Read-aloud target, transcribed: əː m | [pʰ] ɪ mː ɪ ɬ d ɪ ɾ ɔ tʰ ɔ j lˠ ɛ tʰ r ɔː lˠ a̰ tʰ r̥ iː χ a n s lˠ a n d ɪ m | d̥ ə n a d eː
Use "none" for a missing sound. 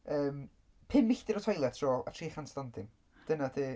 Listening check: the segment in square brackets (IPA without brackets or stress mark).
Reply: pʰ